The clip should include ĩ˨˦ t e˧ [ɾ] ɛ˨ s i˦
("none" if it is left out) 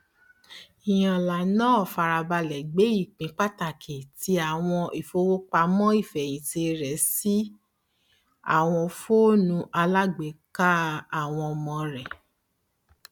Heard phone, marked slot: ɾ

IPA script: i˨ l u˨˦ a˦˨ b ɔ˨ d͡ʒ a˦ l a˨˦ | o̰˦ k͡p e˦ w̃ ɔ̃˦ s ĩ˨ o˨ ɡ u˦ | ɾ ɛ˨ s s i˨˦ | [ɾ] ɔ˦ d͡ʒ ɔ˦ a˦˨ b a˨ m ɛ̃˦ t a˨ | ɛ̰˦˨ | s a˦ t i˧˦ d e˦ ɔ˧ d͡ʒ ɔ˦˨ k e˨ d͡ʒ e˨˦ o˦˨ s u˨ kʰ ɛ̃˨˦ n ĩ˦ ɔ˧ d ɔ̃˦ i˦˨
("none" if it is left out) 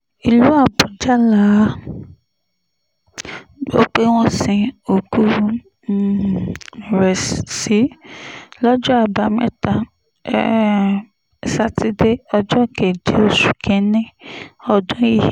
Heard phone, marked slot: l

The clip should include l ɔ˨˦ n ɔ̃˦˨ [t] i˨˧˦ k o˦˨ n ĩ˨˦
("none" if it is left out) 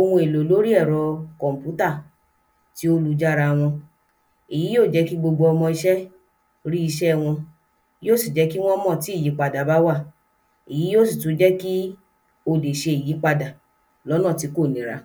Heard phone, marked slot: t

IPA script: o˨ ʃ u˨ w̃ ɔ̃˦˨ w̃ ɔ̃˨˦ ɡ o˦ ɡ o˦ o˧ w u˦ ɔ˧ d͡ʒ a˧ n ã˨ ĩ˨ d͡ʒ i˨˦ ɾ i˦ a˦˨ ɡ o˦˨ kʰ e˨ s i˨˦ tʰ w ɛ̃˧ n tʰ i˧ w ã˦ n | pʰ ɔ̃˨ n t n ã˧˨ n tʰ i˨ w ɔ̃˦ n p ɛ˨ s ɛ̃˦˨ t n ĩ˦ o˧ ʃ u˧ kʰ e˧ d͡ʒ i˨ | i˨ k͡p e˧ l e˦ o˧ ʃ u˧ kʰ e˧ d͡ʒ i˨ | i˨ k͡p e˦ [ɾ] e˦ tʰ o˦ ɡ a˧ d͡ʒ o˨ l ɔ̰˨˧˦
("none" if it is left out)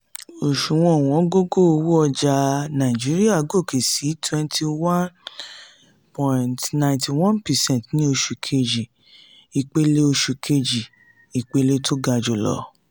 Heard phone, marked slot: l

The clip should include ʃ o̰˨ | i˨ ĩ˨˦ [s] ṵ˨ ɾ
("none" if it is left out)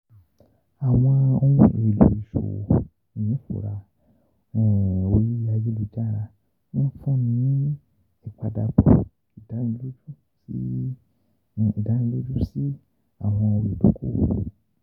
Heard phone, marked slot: f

